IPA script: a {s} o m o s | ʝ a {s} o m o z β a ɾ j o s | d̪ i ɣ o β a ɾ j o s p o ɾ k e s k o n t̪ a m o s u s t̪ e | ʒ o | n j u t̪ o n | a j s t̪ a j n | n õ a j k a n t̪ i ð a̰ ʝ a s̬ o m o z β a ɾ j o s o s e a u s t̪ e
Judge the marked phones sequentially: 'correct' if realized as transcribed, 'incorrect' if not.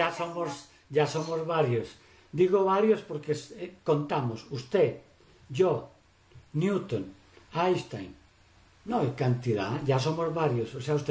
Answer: correct, correct

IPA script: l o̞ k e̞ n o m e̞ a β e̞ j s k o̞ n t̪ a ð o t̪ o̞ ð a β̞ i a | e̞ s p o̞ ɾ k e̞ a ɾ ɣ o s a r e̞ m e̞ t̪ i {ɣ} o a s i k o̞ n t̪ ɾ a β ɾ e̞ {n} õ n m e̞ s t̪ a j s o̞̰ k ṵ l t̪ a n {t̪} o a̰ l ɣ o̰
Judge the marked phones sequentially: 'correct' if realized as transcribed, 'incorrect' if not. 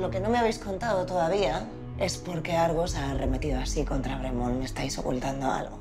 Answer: incorrect: ð, incorrect: m, incorrect: d̪

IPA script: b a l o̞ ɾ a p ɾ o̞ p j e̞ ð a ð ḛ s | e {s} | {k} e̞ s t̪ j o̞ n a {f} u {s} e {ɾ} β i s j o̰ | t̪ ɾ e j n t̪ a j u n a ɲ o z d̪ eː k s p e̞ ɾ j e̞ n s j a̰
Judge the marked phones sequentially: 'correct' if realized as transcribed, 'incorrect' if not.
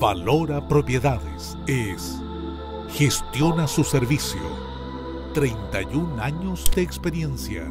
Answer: correct, incorrect: x, incorrect: s, correct, correct

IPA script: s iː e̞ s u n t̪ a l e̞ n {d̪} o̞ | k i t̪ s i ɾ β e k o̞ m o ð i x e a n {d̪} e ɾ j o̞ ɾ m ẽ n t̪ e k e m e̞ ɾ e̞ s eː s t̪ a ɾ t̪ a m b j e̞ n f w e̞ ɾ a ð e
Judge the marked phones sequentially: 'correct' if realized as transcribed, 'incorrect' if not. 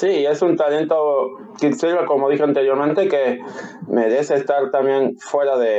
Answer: incorrect: t̪, incorrect: t̪

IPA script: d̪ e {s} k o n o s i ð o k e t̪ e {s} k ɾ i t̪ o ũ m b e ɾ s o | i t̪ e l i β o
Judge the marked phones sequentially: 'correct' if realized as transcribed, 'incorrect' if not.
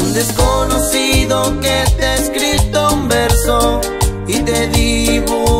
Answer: correct, correct

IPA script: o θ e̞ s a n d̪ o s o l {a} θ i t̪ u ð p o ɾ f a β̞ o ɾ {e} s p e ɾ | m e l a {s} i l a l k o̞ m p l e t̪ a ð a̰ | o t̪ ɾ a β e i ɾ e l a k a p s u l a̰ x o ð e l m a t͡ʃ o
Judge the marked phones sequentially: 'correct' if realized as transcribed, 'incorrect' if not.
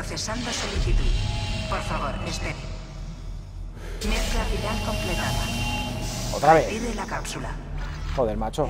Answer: incorrect: i, correct, incorrect: f

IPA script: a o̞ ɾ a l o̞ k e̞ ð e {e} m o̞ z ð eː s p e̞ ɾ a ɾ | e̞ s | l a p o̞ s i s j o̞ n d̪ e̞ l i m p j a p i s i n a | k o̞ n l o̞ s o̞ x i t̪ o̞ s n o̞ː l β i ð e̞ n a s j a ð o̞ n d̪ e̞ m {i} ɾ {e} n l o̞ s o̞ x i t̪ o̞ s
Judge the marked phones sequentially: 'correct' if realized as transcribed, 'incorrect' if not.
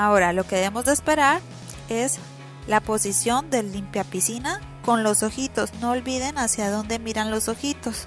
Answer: correct, correct, incorrect: a

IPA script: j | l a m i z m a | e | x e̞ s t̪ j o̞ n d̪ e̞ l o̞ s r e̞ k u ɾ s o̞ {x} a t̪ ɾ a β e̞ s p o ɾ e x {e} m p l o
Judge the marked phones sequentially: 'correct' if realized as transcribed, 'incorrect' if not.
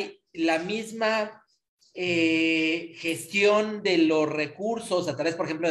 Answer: incorrect: s, correct

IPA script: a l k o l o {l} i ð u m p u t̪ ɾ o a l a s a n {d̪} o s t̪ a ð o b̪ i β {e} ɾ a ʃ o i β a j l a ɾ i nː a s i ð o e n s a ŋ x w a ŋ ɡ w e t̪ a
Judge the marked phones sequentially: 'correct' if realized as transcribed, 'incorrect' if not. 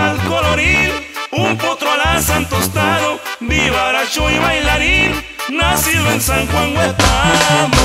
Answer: incorrect: ɾ, incorrect: t̪, incorrect: a

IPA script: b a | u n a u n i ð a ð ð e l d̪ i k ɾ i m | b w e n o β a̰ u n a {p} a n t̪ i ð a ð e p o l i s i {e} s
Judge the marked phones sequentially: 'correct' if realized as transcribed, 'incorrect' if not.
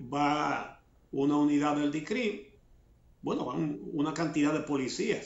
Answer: incorrect: k, incorrect: a

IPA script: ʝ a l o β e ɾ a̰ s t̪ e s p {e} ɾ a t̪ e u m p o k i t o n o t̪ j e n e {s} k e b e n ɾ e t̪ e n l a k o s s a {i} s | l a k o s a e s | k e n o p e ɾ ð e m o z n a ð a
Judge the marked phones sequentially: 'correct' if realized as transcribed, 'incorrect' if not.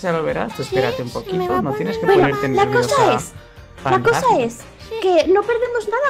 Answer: correct, correct, incorrect: e

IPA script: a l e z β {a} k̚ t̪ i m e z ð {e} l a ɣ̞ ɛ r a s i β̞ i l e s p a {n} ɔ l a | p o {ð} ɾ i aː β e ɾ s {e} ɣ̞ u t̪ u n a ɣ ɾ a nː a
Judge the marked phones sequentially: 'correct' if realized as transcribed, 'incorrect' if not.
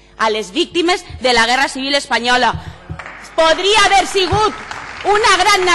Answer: incorrect: i, correct, incorrect: ɲ, correct, incorrect: i

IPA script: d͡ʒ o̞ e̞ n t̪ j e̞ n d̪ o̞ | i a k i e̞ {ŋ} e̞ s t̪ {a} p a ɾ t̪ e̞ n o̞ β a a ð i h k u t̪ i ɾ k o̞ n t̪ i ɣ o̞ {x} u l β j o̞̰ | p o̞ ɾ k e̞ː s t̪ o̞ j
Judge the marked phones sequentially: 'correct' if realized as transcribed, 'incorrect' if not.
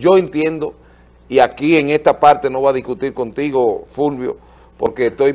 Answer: correct, correct, incorrect: f

